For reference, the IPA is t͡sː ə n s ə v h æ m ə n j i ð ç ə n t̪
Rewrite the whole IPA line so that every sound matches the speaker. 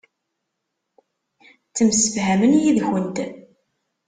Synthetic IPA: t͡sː ə m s ə f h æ m ə n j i ð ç ə n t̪